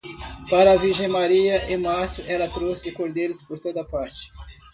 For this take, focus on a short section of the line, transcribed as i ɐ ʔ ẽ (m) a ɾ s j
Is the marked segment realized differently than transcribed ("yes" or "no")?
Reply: no